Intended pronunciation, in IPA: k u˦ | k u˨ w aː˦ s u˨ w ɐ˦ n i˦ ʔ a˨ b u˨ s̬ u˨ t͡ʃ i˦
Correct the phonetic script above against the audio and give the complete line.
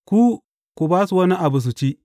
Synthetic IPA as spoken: k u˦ | k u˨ b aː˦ s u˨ w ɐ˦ n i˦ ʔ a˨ b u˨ s̬ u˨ t͡ʃ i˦